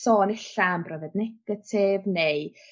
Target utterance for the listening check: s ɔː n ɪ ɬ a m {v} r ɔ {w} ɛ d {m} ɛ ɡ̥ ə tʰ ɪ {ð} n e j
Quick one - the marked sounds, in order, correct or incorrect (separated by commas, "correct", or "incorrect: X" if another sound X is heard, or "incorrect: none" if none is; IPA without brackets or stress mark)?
incorrect: b, incorrect: v, incorrect: n, incorrect: v